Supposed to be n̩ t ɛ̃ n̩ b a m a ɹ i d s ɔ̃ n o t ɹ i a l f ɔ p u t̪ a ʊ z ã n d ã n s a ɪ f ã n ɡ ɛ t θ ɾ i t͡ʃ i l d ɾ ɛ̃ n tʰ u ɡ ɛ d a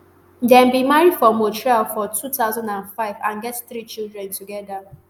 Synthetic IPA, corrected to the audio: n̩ d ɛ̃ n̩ b i m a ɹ i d f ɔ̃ m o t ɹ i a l f ɔ t u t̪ a ʊ z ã n d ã n f a ɪ v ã n ɡ ɛ t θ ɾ i t͡ʃ i l d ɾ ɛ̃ n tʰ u ɡ ɛ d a